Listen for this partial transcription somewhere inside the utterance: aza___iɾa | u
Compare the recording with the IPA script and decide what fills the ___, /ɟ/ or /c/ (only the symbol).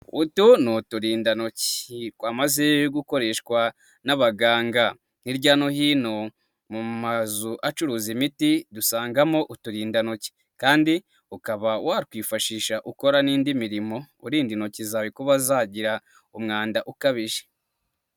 ɟ